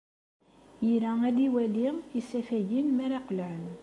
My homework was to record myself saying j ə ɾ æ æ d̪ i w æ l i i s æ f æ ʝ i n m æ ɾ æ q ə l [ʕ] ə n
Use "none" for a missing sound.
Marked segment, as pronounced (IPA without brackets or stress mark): ʕ